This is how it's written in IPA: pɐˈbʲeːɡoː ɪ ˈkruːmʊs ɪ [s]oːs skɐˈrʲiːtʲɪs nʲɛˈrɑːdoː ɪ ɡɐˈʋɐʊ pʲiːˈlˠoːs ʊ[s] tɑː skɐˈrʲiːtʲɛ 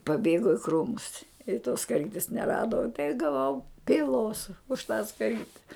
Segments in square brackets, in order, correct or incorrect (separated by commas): incorrect, incorrect